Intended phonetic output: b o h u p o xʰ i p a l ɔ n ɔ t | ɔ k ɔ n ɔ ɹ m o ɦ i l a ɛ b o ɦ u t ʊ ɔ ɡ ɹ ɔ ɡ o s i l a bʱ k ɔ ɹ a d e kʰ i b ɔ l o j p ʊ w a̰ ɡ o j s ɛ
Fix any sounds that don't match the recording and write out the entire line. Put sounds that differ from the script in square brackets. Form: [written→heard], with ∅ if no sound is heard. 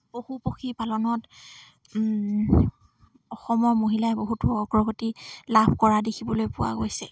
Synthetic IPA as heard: b o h u p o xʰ i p a l ɔ n ɔ t | ɔ [k→x] ɔ [n→m] ɔ ɹ m o ɦ i l a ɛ b o ɦ u t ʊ ɔ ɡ ɹ ɔ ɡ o [s→t] i l a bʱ k ɔ ɹ a d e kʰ i b ɔ l o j p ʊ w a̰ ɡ o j s ɛ